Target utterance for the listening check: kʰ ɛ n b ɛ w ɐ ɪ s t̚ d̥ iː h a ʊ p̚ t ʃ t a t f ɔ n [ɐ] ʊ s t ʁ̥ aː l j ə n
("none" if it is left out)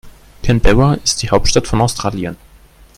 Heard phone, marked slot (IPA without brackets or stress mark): a